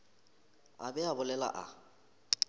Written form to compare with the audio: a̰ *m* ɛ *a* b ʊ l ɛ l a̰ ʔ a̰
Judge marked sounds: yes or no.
no, yes

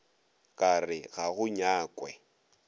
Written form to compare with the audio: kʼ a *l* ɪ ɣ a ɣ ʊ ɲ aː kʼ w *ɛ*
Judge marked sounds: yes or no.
no, yes

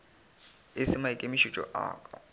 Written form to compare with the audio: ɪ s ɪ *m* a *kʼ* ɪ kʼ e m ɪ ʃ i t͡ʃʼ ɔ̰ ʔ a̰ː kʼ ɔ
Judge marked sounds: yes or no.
yes, no

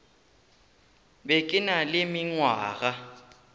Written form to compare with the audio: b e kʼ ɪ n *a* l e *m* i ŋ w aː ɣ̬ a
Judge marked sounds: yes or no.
yes, yes

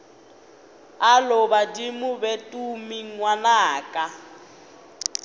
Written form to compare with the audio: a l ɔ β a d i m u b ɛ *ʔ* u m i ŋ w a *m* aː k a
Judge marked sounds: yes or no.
no, no

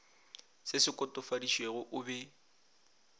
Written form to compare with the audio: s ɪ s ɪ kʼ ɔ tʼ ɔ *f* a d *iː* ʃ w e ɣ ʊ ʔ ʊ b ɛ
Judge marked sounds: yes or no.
yes, no

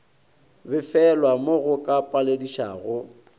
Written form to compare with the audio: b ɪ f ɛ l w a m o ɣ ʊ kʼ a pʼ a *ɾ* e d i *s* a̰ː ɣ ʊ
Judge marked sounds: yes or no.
no, no

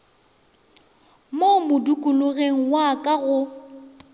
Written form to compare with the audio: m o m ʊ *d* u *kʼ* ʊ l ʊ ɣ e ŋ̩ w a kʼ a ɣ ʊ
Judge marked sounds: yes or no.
yes, yes

